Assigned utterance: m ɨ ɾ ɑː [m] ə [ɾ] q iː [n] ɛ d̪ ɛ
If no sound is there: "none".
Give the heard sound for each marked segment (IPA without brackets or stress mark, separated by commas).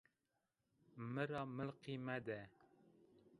m, l, m